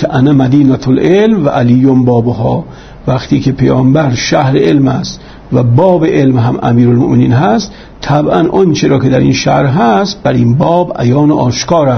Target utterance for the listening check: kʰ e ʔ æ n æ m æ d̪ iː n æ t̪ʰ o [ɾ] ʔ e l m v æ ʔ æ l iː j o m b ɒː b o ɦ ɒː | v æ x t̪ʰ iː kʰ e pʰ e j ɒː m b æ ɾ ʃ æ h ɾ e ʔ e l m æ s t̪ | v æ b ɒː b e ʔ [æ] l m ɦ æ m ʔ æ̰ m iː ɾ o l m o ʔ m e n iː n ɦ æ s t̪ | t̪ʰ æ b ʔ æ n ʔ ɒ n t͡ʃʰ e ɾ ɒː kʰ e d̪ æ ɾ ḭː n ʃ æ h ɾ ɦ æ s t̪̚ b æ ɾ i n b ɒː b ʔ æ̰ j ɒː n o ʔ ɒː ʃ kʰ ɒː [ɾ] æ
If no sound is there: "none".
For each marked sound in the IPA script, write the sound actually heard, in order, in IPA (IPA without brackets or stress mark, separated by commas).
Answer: l, e, ɾ